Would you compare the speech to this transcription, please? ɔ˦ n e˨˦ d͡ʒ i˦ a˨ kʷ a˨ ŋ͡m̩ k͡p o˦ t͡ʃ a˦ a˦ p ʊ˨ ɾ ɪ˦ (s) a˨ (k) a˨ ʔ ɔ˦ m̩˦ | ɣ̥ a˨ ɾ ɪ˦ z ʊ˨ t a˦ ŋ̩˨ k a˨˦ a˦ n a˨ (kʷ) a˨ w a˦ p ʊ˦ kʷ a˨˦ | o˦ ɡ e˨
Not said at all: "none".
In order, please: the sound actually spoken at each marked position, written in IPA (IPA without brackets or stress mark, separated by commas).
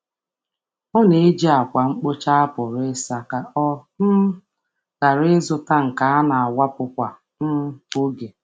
s, k, none